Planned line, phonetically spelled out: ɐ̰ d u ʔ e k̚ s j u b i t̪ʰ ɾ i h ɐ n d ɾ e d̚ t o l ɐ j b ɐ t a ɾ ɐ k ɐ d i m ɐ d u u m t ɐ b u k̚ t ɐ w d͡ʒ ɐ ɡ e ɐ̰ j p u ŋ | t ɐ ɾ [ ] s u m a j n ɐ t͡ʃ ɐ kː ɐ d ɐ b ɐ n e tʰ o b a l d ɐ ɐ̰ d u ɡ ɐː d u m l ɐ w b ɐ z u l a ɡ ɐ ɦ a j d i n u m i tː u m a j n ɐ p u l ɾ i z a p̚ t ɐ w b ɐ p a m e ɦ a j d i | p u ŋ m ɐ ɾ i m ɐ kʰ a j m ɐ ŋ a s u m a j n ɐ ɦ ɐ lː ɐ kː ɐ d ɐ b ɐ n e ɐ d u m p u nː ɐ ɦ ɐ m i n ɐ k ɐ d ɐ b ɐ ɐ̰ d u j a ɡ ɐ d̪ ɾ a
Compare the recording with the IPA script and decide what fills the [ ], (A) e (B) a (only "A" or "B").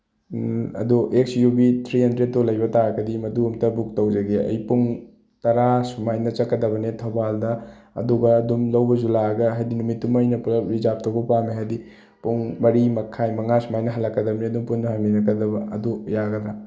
B